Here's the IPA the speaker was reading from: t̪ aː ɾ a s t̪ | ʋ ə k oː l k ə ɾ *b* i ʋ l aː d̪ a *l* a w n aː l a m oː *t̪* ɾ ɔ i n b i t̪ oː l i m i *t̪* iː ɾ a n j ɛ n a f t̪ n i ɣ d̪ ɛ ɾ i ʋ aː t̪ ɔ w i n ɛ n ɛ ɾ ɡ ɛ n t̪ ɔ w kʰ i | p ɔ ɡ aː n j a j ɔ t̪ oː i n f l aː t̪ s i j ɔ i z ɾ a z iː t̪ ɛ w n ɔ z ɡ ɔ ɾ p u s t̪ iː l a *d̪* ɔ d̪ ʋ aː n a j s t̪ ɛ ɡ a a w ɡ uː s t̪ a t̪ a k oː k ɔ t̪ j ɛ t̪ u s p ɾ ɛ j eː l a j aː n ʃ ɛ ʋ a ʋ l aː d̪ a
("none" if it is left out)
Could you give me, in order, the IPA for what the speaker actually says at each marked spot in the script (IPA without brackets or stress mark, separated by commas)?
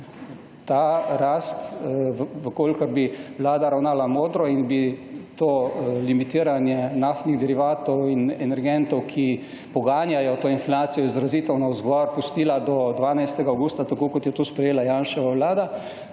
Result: b, ɾ, d̪, t̪, d̪